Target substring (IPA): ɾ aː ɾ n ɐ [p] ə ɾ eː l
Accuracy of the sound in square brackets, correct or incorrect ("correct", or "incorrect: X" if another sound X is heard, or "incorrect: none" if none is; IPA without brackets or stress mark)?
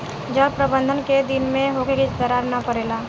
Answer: correct